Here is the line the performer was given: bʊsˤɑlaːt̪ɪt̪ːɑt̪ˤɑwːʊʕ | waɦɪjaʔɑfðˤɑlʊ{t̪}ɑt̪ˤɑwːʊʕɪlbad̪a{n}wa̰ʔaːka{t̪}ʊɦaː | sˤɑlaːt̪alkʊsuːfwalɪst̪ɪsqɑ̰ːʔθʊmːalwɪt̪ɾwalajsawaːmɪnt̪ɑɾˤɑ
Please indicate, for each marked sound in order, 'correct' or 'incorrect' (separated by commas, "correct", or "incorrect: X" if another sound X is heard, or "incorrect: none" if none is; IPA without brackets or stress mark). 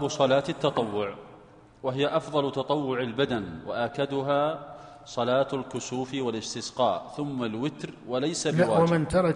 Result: correct, correct, incorrect: d̪